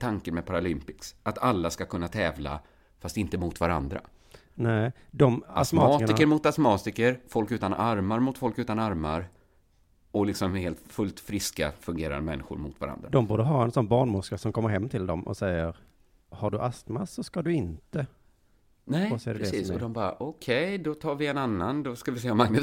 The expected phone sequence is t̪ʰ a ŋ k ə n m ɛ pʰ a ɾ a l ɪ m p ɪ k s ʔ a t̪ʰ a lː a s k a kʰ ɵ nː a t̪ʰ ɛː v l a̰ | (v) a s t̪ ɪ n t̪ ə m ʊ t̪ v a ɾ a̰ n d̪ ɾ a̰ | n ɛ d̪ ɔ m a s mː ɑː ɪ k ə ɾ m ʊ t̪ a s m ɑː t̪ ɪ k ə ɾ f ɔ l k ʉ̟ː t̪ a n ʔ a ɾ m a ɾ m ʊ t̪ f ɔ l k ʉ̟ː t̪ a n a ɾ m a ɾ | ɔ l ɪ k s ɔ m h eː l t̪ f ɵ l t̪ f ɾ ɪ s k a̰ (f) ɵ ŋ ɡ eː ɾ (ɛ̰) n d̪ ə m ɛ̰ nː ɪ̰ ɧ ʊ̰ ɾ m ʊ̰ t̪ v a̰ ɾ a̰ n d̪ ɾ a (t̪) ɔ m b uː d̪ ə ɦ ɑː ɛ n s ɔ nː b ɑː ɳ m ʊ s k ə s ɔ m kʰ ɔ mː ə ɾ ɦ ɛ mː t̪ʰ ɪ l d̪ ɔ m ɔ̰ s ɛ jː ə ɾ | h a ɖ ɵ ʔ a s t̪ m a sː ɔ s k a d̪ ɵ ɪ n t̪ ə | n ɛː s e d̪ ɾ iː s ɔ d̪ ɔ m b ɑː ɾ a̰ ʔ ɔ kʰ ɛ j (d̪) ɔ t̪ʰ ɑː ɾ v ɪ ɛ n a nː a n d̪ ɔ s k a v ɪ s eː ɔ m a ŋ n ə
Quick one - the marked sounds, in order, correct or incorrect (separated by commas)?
incorrect, correct, incorrect, incorrect, correct